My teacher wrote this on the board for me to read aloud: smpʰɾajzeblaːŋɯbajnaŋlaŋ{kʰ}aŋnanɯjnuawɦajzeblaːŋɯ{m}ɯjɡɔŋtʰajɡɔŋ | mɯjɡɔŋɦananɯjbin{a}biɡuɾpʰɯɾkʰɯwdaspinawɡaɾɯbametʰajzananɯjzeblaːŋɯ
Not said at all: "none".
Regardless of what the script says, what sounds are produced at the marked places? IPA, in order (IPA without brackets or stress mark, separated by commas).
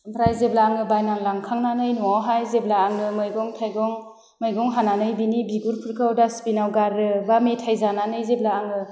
kʰ, m, i